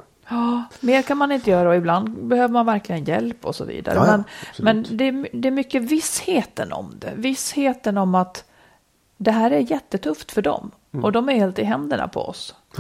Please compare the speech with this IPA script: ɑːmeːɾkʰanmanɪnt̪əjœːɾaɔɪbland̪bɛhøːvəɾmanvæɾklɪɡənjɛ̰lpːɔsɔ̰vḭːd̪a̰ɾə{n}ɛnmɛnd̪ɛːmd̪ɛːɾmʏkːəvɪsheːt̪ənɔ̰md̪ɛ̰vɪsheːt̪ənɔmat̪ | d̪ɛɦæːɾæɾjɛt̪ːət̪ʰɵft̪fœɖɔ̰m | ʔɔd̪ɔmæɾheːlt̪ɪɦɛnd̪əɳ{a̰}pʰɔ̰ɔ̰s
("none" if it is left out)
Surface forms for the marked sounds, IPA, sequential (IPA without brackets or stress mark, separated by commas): m, a̰